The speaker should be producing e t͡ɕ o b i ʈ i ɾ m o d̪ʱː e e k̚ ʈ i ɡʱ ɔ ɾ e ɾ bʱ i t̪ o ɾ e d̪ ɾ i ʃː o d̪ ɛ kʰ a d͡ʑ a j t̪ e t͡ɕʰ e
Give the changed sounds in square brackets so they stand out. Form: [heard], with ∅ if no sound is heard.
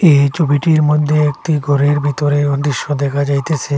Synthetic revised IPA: e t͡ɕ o b i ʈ i ɾ m o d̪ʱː e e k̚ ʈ i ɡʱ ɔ ɾ e ɾ bʱ i t̪ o ɾ e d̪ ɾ i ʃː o d̪ ɛ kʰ a d͡ʑ a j t̪ e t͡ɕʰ e